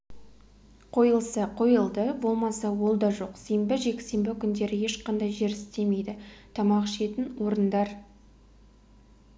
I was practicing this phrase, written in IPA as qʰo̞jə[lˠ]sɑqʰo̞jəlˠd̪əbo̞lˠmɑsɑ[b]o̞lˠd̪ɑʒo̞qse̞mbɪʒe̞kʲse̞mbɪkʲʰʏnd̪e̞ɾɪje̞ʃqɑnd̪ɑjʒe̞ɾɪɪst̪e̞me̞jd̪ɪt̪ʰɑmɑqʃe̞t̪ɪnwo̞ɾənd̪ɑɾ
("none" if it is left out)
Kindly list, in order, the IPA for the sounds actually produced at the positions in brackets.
lˠ, w

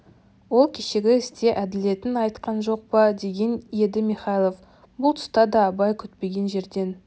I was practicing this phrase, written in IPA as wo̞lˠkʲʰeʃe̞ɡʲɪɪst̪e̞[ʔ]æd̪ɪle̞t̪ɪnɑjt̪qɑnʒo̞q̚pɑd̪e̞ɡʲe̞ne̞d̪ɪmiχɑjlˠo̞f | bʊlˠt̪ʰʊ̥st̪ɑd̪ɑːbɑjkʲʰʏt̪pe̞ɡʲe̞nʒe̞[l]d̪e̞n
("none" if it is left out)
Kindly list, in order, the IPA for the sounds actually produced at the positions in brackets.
ʔ, ɾ

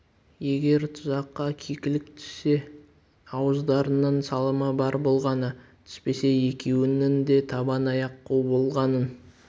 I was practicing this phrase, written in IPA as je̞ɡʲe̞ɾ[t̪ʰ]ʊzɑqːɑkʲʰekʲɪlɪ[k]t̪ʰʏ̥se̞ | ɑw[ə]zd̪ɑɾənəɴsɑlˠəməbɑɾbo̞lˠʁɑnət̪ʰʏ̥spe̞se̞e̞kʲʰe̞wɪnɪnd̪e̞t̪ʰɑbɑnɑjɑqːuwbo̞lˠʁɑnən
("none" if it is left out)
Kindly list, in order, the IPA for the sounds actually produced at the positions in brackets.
t̪ʰ, k, ə

